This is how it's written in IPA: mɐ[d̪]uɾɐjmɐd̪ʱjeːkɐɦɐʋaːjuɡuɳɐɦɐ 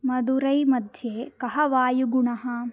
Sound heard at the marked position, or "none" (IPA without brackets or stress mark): d̪